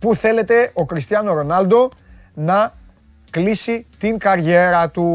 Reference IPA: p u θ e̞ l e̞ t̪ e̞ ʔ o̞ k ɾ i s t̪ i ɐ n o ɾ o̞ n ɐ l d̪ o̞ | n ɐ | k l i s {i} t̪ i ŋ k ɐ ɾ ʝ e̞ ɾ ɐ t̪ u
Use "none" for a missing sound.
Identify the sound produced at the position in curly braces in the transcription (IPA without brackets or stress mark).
i